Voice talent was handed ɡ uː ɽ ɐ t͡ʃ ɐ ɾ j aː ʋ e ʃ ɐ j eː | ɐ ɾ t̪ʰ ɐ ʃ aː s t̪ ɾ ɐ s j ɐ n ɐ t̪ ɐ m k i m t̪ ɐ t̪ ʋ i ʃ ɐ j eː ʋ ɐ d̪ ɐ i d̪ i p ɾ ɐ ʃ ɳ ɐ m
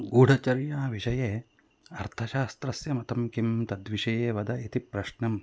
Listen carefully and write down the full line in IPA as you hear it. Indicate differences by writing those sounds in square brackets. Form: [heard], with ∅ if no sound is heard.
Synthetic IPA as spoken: ɡ uː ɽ ɐ t͡ʃ ɐ ɾ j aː ʋ [i] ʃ ɐ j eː | ɐ ɾ t̪ʰ ɐ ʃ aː s t̪ ɾ ɐ s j ɐ [m] ɐ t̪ ɐ m k i m t̪ ɐ [d̪] ʋ i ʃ ɐ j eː ʋ ɐ d̪ ɐ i [t̪] i p ɾ ɐ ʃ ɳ ɐ m

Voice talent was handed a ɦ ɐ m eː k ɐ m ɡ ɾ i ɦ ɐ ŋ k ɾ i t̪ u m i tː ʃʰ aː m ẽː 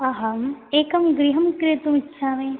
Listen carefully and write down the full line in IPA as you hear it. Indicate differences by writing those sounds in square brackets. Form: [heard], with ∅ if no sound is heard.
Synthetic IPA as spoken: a ɦ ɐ m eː k ɐ m ɡ ɾ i ɦ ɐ [m] k ɾ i t̪ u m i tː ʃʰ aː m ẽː

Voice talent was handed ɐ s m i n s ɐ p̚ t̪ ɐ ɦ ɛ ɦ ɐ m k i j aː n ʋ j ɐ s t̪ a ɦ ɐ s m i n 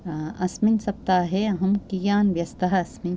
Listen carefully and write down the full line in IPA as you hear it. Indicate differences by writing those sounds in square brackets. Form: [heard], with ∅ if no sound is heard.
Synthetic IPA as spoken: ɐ s m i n s ɐ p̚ t̪ [a] ɦ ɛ ɦ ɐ m k i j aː n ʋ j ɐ s t̪ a ɦ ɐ s m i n

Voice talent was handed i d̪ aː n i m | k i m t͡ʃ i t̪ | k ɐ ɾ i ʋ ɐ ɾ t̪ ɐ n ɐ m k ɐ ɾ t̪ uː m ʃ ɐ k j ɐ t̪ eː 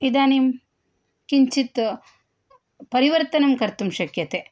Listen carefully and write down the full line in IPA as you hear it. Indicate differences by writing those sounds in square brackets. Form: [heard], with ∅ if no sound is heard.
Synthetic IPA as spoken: i d̪ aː n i m | k i [ɲ] t͡ʃ i t̪ | [p] ɐ ɾ i ʋ ɐ ɾ t̪ ɐ n ɐ m k ɐ ɾ t̪ [u] m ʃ ɐ k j ɐ t̪ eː

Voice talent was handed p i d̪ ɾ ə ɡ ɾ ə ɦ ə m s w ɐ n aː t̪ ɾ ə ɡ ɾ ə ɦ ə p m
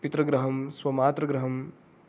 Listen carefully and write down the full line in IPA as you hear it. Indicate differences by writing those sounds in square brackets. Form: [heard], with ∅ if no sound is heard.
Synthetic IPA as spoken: p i [t̪] ɾ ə ɡ ɾ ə ɦ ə m s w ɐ [m] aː t̪ ɾ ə ɡ ɾ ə ɦ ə [∅] m

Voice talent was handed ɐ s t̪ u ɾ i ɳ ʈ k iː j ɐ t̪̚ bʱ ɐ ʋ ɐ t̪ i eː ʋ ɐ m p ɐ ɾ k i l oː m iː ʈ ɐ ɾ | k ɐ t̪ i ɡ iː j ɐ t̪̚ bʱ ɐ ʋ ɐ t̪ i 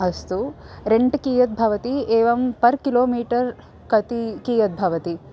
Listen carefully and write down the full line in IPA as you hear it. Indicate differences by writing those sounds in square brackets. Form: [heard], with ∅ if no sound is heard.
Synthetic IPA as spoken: ɐ s t̪ u ɾ [e] ɳ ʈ k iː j ɐ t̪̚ bʱ ɐ ʋ ɐ t̪ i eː ʋ ɐ m p ɐ ɾ k i l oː m iː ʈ ɐ ɾ | k ɐ t̪ i [k] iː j ɐ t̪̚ bʱ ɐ ʋ ɐ t̪ i

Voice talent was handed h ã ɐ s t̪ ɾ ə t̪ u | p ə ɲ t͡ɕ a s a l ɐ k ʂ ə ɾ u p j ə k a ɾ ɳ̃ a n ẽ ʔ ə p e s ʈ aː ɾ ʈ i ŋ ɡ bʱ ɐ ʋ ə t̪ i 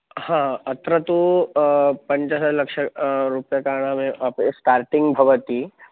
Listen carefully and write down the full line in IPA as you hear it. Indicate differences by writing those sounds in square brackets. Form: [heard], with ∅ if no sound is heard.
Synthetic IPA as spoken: h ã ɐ [∅] t̪ ɾ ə t̪ u | p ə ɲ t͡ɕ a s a l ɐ k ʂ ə ɾ u p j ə k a ɾ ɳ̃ a [m] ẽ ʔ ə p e s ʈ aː ɾ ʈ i ŋ ɡ bʱ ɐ ʋ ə t̪ i

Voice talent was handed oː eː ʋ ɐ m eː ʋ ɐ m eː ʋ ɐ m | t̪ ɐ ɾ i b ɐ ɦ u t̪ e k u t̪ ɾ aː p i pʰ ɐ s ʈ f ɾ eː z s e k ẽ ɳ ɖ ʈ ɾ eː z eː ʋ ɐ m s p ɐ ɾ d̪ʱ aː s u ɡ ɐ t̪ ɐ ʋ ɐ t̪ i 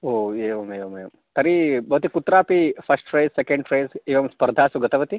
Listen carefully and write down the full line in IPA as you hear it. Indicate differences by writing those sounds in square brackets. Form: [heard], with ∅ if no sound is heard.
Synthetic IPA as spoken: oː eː ʋ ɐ m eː ʋ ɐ m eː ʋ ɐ m | t̪ ɐ ɾ i b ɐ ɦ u t̪ [i] k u t̪ ɾ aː p i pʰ ɐ s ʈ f ɾ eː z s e k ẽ ɳ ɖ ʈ ɾ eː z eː ʋ ɐ m s p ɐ ɾ d̪ʱ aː s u ɡ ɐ t̪ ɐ ʋ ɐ t̪ i

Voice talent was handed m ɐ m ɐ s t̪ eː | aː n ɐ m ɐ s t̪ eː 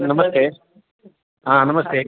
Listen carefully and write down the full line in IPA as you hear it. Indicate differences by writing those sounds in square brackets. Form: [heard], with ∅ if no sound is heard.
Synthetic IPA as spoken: [n] ɐ m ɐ s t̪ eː | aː n ɐ m ɐ s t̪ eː

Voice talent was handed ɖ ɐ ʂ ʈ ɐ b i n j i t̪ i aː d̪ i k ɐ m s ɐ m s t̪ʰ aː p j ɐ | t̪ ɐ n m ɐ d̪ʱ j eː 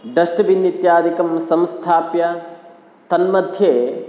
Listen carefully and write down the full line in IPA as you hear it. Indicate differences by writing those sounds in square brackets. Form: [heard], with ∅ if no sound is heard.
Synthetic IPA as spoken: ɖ ɐ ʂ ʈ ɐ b i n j i t̪ [j] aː d̪ i k ɐ m s ɐ m s t̪ʰ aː p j ɐ | t̪ ɐ n m ɐ d̪ʱ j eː

